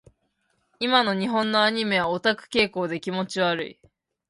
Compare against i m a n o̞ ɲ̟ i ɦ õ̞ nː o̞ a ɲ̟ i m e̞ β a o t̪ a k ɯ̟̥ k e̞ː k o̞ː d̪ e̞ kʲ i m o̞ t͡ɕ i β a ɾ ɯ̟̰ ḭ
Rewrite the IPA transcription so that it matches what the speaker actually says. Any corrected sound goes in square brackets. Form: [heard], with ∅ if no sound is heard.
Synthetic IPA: i m a n o̞ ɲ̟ i ɦ õ̞ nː o̞ a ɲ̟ i m e̞ β a o t̪ a k ɯ̟̥ k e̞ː k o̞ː d̪ e̞ kʲ i m o̞ t͡ɕ i β a ɾ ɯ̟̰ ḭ